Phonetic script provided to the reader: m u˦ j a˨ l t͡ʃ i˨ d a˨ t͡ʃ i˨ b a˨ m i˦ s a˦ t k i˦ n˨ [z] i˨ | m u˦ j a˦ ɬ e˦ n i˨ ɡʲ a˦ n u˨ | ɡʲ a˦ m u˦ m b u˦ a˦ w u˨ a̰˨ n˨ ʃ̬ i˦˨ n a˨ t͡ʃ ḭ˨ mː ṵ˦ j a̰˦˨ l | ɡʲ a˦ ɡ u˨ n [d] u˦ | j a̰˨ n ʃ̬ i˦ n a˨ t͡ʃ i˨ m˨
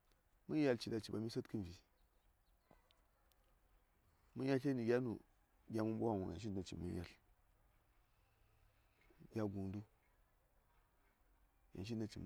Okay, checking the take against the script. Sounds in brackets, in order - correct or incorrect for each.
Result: incorrect: v, correct

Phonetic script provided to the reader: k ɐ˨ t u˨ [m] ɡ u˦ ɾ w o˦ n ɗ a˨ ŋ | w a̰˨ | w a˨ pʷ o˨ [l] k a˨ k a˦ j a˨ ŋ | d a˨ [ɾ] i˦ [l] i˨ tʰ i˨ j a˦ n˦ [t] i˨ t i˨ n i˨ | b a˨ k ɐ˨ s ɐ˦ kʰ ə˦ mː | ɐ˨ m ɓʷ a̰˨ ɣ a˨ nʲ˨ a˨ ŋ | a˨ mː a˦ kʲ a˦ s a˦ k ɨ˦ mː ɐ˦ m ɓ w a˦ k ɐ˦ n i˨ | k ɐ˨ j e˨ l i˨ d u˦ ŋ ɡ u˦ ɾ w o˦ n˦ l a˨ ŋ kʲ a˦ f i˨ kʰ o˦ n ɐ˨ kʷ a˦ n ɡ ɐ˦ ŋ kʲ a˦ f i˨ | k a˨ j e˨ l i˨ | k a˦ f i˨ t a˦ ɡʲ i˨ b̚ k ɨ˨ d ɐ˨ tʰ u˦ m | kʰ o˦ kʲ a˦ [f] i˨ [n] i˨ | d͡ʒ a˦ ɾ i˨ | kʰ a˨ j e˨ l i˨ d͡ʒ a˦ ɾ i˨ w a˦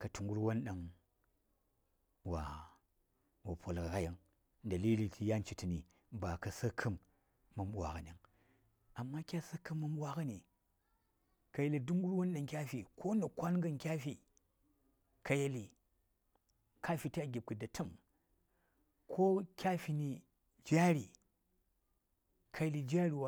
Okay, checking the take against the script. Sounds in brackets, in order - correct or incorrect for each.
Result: incorrect: ŋ, correct, incorrect: l, correct, incorrect: t͡ʃ, correct, correct

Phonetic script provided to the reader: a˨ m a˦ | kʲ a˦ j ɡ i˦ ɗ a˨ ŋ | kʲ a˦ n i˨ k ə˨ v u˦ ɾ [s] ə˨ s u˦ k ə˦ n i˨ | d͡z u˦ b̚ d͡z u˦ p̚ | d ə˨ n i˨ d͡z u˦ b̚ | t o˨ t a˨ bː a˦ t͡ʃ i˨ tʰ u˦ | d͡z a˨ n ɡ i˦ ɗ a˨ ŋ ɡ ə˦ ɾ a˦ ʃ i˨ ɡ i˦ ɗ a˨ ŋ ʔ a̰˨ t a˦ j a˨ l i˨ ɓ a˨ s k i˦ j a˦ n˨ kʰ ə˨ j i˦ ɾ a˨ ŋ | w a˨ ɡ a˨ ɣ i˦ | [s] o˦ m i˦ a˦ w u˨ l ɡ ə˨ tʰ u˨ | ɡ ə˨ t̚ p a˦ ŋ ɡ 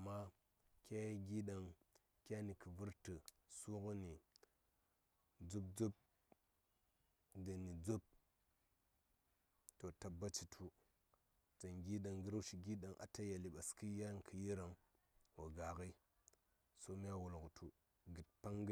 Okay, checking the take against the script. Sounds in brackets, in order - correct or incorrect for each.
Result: incorrect: t, correct

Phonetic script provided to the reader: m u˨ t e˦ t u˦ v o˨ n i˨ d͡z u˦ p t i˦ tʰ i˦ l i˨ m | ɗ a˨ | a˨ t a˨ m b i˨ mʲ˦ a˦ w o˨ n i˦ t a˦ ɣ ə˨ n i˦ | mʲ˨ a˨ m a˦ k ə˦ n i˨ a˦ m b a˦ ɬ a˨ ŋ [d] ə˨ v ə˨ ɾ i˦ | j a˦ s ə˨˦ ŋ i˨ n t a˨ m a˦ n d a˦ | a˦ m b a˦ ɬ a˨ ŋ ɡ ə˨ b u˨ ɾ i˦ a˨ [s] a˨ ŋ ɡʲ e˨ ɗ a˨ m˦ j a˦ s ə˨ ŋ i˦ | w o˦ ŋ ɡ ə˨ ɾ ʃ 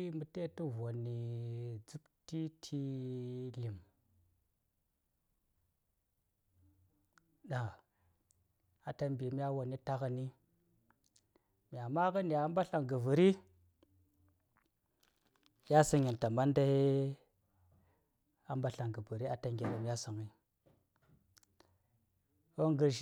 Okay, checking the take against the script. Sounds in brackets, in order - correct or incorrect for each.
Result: incorrect: ɡ, incorrect: t

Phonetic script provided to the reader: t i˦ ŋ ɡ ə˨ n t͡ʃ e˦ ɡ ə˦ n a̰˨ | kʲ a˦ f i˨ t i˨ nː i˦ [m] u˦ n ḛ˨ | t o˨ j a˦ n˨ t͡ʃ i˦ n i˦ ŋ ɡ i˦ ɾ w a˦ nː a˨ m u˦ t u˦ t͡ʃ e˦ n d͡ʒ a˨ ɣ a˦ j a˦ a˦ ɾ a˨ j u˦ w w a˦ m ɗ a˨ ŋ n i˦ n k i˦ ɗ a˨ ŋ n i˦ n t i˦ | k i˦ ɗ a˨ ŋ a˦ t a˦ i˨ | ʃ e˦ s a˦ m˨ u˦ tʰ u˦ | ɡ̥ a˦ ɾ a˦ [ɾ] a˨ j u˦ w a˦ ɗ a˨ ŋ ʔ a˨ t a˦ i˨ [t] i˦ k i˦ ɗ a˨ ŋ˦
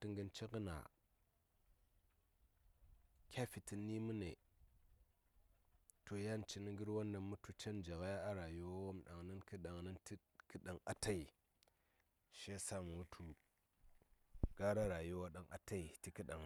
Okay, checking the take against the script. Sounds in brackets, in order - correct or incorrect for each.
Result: correct, correct, correct

